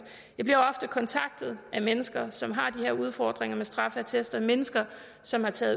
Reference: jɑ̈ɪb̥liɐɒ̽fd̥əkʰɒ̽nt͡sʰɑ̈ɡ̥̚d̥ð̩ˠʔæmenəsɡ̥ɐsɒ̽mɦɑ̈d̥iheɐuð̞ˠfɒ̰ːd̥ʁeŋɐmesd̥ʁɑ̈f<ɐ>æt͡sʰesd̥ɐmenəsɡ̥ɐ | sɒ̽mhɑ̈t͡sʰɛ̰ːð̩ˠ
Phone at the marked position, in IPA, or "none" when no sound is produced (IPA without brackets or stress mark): ə